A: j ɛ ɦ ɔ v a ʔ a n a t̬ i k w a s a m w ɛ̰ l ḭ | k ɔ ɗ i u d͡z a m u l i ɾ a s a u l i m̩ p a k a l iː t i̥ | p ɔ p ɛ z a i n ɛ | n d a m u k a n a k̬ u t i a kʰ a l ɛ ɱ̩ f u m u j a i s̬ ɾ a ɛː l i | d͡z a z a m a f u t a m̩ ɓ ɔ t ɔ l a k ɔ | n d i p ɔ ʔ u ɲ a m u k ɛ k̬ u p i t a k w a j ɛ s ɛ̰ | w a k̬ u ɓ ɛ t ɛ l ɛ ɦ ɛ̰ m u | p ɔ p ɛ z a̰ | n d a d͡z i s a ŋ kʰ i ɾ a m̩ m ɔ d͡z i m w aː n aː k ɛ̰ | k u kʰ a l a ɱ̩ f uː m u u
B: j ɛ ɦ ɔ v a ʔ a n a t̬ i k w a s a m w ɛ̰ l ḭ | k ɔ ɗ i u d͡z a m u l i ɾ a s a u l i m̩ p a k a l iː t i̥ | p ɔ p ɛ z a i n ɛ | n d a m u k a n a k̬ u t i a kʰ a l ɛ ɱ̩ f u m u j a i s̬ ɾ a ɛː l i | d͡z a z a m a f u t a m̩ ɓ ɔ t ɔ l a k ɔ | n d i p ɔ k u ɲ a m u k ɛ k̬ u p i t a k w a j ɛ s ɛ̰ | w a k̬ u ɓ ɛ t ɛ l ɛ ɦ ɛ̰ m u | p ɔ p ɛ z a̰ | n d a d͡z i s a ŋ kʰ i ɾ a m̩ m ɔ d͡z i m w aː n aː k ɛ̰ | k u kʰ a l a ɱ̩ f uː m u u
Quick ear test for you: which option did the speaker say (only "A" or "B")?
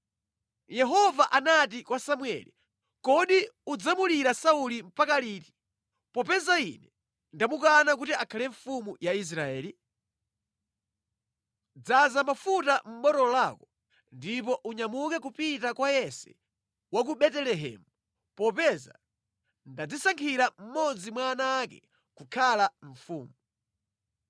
A